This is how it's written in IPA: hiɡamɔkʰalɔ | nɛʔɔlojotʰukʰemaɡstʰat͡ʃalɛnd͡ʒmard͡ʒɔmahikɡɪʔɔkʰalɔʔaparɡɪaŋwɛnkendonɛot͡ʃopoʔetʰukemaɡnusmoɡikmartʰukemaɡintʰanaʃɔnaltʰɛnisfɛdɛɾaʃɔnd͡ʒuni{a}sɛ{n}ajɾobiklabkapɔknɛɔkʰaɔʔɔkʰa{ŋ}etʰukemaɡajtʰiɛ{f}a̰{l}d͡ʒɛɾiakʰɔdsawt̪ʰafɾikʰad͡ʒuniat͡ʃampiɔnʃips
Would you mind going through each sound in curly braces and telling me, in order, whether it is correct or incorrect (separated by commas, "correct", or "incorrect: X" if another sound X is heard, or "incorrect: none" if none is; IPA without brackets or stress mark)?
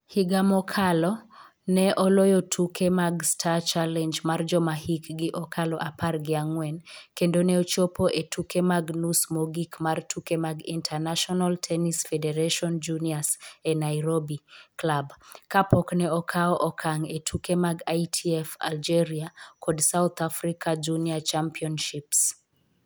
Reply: correct, correct, correct, correct, correct